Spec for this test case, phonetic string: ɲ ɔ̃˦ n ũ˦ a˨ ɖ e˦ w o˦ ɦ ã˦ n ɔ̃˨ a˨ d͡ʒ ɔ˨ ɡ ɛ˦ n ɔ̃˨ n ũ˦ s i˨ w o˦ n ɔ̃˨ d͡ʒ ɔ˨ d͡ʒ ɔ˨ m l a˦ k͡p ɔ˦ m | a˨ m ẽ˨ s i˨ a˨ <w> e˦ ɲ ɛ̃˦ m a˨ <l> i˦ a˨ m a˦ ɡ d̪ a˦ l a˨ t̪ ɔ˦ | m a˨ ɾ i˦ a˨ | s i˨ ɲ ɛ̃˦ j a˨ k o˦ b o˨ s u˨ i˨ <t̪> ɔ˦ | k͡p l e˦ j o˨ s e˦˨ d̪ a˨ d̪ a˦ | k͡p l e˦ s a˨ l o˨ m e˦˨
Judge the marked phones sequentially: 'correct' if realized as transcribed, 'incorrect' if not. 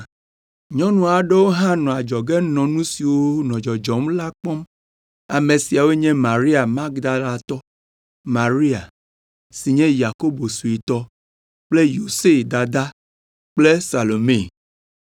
correct, incorrect, correct

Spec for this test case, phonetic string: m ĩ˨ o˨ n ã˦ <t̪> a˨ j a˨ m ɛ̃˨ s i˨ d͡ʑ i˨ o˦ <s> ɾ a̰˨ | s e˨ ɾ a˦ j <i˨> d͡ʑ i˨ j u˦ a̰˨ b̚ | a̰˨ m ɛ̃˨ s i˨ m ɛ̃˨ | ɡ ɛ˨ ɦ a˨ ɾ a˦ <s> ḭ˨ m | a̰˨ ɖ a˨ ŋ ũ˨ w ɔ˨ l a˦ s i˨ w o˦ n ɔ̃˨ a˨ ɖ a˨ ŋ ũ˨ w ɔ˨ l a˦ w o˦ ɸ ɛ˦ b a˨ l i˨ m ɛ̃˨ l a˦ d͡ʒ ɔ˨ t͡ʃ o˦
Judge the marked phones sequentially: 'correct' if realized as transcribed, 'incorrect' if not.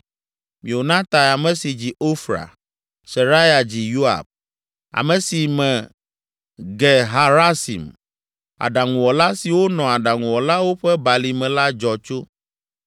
correct, incorrect, incorrect, correct

